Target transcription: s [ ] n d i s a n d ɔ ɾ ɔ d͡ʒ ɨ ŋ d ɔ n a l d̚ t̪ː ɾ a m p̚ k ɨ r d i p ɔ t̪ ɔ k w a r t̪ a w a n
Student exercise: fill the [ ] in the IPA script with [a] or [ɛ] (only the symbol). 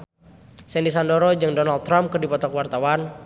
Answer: ɛ